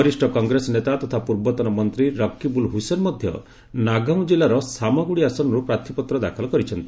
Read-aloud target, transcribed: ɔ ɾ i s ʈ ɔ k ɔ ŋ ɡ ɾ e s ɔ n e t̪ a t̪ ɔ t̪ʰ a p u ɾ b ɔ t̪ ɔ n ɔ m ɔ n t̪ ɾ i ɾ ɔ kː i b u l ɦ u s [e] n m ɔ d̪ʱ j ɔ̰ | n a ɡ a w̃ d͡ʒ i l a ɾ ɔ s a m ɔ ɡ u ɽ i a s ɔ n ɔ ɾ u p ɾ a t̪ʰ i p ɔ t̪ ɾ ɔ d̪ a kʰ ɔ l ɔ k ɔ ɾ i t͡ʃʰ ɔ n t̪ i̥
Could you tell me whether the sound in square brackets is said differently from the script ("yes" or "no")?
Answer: no